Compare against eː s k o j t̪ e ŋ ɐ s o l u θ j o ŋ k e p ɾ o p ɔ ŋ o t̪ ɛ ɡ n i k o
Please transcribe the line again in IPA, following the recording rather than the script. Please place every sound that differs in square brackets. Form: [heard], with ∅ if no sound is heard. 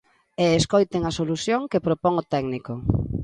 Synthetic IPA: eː s k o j t̪ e ŋ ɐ s o l u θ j o ŋ k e p ɾ o p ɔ ŋ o t̪ ɛ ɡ n i k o